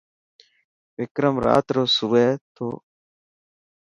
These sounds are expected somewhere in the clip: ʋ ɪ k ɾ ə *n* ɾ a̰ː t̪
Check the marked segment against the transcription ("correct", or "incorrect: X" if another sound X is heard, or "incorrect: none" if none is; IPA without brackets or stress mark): incorrect: m